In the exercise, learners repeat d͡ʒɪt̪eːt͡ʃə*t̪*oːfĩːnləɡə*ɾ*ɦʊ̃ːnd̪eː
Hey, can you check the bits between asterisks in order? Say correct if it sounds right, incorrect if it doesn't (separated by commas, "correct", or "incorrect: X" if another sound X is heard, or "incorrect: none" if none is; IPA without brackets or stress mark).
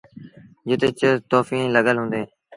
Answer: correct, incorrect: l